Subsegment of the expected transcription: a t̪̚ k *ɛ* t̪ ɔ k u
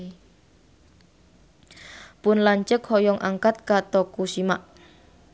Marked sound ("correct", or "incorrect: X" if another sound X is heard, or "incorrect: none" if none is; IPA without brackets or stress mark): incorrect: a